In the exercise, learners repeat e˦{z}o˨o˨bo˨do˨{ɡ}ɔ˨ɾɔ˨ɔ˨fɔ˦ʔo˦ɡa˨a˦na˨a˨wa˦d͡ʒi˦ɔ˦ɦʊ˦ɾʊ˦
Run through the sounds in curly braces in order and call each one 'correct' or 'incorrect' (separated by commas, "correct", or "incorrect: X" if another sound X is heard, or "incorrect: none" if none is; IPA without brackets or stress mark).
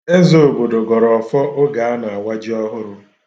correct, correct